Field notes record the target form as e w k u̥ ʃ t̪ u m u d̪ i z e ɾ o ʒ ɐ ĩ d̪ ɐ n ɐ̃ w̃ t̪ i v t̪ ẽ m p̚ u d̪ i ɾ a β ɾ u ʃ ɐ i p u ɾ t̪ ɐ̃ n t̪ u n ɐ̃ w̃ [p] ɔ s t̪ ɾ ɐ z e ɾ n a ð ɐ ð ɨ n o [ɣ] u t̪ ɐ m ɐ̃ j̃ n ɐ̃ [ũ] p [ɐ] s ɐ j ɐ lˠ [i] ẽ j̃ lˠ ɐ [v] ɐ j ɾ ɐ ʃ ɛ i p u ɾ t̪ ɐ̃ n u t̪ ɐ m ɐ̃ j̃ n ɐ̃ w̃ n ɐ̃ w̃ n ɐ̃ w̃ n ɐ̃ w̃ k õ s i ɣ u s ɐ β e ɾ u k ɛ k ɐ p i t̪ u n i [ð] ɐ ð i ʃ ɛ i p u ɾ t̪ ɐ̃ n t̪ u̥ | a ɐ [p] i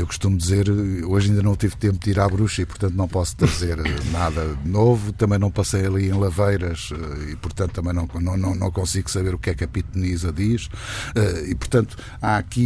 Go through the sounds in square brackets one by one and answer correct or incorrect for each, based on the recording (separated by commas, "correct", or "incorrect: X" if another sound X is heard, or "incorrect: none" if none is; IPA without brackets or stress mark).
correct, incorrect: v, incorrect: w̃, correct, correct, correct, incorrect: z, incorrect: k